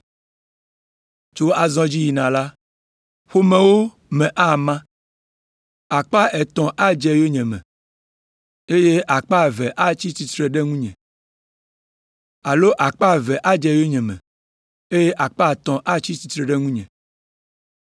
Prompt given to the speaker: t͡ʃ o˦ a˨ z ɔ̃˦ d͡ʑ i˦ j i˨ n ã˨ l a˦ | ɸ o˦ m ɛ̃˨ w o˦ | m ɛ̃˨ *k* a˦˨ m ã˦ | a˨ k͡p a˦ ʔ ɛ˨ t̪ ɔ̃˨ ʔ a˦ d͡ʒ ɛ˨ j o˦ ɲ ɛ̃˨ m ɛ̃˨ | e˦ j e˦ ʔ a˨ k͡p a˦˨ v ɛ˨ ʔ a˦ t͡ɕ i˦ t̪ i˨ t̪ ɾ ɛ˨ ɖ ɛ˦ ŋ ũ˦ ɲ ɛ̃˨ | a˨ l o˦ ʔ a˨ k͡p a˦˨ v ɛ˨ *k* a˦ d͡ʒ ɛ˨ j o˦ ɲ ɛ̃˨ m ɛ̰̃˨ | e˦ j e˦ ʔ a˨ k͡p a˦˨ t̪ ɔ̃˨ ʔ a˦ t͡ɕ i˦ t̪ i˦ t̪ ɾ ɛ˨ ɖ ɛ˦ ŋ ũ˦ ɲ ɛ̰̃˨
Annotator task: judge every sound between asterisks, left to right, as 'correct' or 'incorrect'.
incorrect: ʔ, incorrect: ʔ

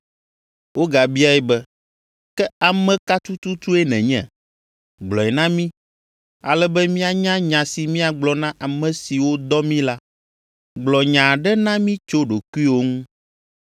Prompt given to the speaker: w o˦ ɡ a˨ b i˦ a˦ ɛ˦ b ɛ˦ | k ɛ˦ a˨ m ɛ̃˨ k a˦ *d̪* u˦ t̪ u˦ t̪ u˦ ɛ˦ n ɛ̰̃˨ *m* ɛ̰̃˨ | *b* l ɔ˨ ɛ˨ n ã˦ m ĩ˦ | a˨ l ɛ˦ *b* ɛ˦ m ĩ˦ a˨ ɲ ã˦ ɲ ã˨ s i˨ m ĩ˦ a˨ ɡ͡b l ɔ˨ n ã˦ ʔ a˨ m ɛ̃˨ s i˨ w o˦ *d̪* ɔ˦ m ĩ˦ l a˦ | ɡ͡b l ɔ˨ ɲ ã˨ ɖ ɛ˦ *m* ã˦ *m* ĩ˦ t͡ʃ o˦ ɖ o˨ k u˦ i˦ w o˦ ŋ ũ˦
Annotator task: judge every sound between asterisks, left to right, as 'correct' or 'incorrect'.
incorrect: t̪, incorrect: ɲ, incorrect: ɡ͡b, correct, correct, incorrect: n, correct

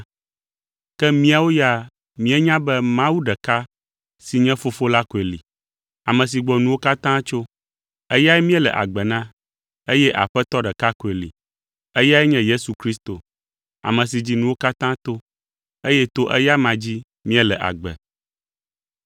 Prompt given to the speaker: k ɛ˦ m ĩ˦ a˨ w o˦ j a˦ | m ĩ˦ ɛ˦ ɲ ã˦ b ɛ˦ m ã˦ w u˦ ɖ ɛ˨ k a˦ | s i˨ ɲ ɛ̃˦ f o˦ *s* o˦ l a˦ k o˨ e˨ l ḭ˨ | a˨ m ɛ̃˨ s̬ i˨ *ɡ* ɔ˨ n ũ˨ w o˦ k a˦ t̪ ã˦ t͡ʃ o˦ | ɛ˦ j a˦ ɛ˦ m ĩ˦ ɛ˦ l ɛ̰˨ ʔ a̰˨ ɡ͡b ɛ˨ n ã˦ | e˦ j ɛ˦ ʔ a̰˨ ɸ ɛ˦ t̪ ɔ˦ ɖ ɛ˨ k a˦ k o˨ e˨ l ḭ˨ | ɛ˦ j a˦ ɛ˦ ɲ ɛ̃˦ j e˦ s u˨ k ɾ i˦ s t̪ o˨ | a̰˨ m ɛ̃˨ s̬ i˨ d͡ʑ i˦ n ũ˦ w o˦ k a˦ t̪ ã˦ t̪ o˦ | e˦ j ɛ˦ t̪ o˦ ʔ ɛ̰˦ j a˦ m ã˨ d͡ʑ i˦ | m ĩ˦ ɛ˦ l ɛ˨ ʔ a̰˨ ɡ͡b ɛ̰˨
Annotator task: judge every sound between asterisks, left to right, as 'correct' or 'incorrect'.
incorrect: f, incorrect: ɡ͡b

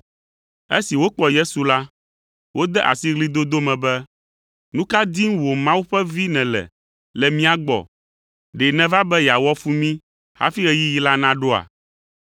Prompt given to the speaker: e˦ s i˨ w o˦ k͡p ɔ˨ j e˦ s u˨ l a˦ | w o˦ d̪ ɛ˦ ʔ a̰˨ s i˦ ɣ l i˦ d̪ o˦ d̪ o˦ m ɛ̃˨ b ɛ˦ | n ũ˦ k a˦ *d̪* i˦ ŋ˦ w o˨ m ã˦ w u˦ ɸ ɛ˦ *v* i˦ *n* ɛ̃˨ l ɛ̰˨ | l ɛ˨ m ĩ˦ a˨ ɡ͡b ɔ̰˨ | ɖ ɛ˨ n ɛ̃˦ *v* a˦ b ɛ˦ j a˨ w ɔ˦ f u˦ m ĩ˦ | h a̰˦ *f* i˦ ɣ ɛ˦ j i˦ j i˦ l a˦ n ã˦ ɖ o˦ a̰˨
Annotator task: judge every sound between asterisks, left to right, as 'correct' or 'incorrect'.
correct, correct, correct, correct, correct

